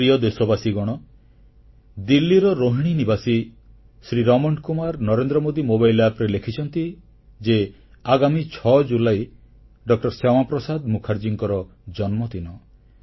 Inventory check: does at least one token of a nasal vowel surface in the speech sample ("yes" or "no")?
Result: no